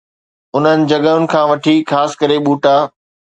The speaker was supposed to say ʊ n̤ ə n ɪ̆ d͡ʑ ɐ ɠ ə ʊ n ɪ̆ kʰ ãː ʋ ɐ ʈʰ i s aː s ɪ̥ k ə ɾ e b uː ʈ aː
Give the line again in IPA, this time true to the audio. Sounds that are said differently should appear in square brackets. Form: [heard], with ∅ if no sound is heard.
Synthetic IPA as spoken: ʊ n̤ ə n ɪ̆ d͡ʑ ɐ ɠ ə ʊ n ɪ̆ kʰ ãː ʋ ɐ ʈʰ i [x] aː s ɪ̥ k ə ɾ e [ɓ] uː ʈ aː